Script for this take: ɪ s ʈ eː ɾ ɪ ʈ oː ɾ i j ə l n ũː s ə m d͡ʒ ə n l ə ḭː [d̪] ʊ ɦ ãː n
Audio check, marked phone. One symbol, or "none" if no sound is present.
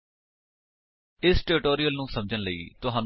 t̪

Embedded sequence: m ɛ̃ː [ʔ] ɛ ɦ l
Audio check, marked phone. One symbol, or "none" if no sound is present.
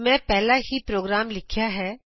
p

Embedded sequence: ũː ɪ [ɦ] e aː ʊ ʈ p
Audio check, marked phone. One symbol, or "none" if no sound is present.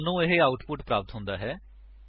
ɦ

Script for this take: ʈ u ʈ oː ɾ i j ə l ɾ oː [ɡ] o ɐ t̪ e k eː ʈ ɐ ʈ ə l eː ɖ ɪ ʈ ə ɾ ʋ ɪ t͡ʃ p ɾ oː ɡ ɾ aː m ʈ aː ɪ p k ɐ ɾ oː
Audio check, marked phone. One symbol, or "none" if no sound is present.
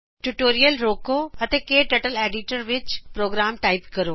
k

